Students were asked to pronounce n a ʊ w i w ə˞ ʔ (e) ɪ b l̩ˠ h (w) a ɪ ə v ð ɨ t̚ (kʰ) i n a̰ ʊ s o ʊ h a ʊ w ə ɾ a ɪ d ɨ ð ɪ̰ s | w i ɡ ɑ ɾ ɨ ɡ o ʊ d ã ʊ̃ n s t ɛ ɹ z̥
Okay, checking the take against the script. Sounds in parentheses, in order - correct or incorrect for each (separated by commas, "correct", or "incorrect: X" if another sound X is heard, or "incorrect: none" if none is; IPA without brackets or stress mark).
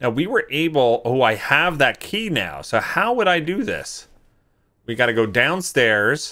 correct, incorrect: u, correct